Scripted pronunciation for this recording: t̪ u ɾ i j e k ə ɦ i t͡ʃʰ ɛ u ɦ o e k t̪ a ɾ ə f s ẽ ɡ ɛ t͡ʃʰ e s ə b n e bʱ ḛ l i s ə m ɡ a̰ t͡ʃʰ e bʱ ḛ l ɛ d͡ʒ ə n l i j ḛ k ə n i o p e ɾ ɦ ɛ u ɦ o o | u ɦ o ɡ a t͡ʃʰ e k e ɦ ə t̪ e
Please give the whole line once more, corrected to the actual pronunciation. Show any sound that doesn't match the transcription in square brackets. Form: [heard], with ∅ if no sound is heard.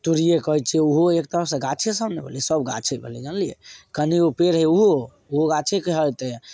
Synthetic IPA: t̪ u ɾ i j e k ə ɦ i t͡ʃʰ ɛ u ɦ o e k t̪ [ə] ɾ ə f s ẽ ɡ [a] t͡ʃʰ e s ə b n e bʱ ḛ l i s ə [b] ɡ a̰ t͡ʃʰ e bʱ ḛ l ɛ d͡ʒ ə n l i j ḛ k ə n i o p e ɾ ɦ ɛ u ɦ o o | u ɦ o ɡ a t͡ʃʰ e k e ɦ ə t̪ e